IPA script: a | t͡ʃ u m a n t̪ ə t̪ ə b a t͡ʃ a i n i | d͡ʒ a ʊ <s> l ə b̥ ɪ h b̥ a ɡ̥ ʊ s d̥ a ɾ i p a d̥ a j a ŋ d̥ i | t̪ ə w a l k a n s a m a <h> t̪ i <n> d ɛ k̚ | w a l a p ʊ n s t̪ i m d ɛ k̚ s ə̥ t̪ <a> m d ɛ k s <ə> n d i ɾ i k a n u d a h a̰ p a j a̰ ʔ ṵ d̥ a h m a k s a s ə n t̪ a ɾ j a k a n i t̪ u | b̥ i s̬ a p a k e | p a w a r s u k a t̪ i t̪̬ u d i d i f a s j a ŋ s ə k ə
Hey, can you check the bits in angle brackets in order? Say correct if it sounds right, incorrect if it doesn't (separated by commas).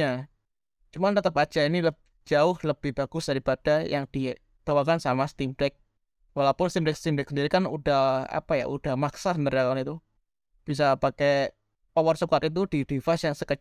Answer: incorrect, incorrect, incorrect, incorrect, correct